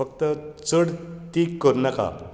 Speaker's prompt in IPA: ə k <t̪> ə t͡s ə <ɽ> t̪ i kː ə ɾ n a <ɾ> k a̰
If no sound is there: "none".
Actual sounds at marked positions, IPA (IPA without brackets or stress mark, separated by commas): t̪, ɽ, none